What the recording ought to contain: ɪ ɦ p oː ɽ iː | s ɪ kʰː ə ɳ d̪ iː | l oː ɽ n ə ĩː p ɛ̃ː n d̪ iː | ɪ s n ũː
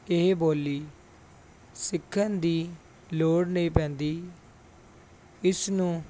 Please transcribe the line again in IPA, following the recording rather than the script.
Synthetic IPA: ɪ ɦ b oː l iː | s ɪ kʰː ə n d̪ iː | l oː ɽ n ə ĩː p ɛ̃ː n d̪ iː | ɪ s n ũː